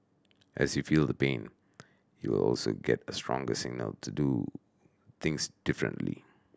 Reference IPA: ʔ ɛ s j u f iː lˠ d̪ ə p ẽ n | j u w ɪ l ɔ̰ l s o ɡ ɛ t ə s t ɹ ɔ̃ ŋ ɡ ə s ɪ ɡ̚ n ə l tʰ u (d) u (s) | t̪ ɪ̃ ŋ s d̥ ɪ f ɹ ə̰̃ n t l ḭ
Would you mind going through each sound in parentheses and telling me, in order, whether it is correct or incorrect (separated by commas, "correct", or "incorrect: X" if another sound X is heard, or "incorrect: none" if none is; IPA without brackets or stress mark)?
correct, incorrect: none